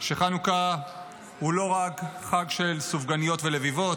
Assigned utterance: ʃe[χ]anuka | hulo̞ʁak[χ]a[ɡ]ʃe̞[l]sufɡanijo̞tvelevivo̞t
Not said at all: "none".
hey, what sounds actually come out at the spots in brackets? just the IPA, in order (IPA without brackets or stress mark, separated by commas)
χ, χ, ɡ, l